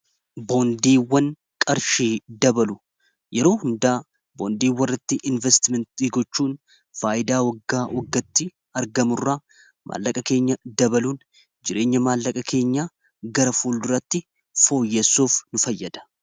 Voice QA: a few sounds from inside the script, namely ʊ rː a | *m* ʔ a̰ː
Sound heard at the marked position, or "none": m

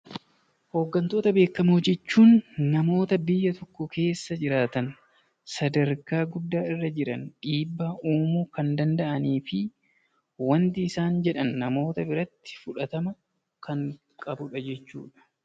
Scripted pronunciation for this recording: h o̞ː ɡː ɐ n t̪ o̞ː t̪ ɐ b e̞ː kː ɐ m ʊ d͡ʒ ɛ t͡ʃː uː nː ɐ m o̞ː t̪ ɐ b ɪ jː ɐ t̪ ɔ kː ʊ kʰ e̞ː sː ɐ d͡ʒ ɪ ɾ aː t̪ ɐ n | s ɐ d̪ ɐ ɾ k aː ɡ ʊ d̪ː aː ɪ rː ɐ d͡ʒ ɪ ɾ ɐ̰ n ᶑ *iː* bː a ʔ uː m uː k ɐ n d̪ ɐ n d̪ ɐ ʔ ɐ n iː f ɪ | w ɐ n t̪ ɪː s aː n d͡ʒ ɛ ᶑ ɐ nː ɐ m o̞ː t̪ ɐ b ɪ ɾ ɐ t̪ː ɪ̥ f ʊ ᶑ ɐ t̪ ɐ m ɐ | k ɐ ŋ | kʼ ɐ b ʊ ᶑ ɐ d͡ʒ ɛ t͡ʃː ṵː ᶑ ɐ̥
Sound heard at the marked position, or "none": iː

